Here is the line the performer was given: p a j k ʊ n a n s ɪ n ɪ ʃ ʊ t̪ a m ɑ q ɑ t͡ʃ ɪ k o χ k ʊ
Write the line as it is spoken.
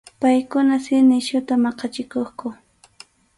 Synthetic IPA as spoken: p a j k ʊ n a s ɪ n ɪ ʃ ʊ t̪ a m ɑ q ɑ t͡ʃ ɪ k o χ k ʊ